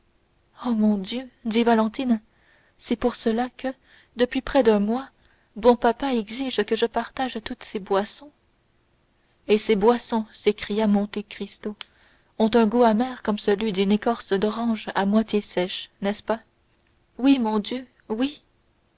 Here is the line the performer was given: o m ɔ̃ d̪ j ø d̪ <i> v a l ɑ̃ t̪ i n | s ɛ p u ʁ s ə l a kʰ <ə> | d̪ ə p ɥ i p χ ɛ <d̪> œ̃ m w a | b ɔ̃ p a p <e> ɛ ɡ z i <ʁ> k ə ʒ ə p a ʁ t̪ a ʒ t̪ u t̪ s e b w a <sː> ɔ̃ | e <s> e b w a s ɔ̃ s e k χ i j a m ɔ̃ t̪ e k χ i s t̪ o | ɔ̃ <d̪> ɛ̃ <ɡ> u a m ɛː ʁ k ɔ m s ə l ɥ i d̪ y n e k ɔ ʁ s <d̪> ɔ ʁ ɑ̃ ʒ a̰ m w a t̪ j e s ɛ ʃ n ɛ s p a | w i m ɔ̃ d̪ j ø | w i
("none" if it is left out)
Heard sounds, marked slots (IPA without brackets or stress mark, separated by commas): i, ə, d̪, a, ʒ, s, s, t̪, ɡ, d̪